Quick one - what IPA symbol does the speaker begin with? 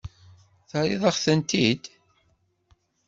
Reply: θ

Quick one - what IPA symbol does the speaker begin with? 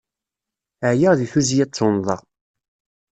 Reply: ʕ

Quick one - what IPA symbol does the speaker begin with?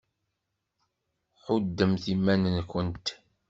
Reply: ħ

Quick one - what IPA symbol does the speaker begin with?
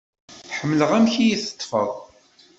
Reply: ħ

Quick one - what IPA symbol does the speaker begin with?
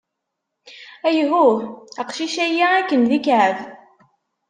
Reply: æ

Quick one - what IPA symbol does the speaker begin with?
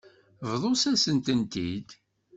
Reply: v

